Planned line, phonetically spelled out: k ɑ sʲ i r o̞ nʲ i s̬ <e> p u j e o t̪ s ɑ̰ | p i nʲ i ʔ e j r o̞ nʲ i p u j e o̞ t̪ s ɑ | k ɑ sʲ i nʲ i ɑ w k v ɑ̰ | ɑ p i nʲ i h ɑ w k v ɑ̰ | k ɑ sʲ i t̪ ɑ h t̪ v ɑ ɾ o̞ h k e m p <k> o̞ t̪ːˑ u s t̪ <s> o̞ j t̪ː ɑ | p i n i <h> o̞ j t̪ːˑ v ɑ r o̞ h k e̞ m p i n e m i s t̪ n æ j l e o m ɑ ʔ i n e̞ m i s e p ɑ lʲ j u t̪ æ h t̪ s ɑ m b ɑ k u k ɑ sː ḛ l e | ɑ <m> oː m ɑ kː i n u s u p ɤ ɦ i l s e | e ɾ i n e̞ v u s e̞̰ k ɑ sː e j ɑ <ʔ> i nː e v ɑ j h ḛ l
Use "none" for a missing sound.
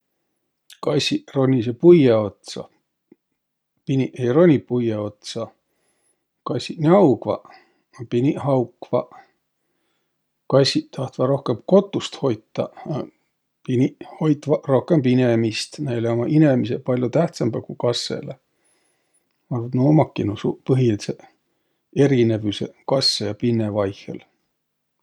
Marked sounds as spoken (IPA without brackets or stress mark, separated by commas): e, k, h, h, n, p